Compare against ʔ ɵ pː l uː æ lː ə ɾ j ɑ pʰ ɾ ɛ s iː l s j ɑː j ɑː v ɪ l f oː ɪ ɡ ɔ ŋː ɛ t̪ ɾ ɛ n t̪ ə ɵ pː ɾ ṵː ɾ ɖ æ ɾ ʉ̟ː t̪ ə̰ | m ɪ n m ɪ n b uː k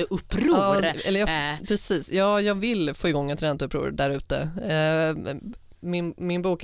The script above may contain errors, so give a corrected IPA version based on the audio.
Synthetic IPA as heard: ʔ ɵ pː ɾ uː ɛ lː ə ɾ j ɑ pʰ ɾ ɛ s iː s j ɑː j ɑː v ɪ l f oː ɪ ɡ ɔ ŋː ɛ t̪ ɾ ɛ n t̪ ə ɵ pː ɾ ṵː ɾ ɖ æ ɾ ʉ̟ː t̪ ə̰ | m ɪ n m ɪ n b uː k